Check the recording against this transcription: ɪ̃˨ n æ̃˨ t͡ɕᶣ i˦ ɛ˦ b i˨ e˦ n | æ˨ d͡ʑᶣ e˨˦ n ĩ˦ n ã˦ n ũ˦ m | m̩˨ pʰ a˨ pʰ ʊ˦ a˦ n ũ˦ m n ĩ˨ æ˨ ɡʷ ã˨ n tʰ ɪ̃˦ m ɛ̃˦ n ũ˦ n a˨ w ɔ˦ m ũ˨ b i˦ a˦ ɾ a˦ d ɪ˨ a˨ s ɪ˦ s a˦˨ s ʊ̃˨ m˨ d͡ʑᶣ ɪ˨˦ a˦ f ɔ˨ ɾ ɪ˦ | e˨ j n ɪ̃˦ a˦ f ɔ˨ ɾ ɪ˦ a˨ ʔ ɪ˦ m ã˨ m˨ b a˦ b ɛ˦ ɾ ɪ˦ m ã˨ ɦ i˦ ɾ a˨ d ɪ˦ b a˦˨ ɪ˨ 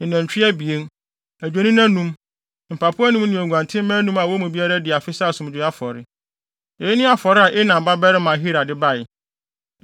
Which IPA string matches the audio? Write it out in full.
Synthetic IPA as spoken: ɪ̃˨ n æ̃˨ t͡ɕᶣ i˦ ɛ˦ b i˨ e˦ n | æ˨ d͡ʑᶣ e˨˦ n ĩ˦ n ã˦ n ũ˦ m | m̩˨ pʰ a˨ pʰ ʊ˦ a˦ n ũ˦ m n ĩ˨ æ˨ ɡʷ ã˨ n tʰ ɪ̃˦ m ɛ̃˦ n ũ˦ m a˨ w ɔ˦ m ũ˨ b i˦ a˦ ɾ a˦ d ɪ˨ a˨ f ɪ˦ s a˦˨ s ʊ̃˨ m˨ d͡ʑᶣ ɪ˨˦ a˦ f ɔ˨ ɾ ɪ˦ | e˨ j n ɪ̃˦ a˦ f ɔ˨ ɾ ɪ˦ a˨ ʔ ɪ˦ n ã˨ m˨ b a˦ b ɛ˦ ɾ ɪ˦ m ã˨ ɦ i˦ ɾ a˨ d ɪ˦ b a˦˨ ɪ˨

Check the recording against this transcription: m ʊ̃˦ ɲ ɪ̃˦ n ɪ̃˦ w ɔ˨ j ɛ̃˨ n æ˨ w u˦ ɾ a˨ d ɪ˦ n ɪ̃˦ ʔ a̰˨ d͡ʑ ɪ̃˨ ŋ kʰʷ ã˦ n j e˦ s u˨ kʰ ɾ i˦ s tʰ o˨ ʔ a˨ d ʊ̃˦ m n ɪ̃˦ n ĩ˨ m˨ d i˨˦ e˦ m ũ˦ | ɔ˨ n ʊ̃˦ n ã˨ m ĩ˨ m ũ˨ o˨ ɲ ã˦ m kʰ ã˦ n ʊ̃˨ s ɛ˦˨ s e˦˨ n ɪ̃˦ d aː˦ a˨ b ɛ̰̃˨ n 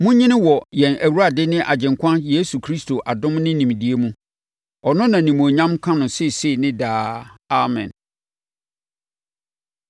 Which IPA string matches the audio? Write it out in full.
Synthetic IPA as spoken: m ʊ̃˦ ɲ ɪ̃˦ n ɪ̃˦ w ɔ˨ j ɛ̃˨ n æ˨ w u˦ ɾ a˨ d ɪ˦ n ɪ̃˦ ʔ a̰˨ d͡ʑ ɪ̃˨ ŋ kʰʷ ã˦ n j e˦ s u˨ kʰ ɾ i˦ s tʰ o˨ ʔ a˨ d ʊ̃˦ m n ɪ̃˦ n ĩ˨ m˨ d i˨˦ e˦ m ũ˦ | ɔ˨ n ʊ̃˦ n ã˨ n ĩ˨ m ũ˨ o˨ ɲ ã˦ m kʰ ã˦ n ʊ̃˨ s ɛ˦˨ s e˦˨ n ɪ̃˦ d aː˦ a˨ m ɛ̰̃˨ n

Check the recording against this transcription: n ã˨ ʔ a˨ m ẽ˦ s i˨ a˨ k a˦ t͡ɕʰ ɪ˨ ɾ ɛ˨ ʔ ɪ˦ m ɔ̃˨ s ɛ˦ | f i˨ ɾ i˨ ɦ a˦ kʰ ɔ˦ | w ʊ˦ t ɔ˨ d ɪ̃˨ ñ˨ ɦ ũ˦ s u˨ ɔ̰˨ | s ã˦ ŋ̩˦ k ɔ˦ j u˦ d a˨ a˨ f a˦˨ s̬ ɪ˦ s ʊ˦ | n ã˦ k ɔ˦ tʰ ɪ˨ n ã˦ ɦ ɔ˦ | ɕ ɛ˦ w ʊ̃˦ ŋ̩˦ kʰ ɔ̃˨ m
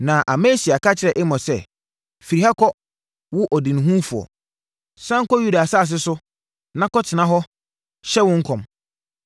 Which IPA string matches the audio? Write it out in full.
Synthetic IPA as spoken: n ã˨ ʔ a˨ m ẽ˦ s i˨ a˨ k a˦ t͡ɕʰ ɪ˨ ɾ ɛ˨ ʔ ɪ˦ m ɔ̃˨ s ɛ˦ | f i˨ ɾ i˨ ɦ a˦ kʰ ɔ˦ | w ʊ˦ ʔ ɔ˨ d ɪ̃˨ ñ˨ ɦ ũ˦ f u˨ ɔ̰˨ | s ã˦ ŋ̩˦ k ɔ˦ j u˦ d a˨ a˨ s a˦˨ s̬ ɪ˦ s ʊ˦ | n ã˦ k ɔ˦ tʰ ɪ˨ n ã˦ ɦ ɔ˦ | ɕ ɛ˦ w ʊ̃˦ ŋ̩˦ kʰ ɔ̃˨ m

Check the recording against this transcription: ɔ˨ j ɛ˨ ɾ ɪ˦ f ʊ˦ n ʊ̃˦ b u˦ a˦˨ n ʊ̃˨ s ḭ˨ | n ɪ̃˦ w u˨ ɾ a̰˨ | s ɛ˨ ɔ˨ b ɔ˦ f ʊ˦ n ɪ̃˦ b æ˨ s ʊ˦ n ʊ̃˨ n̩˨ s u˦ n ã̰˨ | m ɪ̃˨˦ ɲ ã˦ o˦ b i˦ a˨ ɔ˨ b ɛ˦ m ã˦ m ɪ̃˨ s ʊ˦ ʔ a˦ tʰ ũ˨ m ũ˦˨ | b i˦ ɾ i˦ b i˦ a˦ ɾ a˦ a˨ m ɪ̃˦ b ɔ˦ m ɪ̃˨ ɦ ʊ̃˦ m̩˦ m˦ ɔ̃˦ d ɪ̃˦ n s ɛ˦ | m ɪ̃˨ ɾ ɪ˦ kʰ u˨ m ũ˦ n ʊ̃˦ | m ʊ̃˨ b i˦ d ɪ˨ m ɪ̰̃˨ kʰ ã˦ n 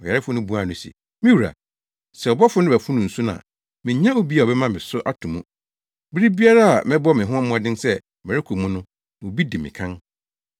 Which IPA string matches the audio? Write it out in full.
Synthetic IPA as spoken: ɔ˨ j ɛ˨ ɾ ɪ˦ f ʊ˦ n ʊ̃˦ b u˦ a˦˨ n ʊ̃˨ s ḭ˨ | m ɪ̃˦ w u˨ ɾ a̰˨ | s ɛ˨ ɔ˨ b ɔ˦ f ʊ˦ n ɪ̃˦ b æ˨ f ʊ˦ n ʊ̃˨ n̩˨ s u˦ n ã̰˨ | m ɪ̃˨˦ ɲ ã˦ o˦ b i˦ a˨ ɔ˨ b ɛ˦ m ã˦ m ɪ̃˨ s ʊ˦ ʔ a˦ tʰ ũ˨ m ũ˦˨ | b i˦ ɾ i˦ b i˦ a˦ ɾ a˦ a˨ m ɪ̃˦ b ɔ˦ m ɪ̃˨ ɦ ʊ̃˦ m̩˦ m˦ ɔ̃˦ d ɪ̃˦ n s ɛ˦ | m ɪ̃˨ ɾ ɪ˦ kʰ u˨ m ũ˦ n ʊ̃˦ | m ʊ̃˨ b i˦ d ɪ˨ m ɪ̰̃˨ kʰ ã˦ n

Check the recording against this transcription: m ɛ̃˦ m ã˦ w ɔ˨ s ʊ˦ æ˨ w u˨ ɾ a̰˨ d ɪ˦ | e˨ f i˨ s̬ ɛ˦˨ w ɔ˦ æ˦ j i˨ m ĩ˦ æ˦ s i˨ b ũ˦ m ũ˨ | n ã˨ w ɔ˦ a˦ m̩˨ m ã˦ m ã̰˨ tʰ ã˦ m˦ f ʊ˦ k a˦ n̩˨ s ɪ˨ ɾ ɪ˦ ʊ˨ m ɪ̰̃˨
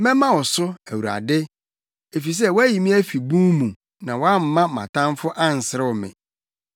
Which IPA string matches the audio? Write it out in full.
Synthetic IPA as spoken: m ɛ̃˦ m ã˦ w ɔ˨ s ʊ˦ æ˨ w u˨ ɾ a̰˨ d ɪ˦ | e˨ f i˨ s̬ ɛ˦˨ w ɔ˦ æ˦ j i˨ m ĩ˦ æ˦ f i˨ b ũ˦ m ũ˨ | n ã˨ w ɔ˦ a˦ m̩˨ m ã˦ m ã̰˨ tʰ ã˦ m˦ f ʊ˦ ʔ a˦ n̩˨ s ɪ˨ ɾ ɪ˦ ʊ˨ m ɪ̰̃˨

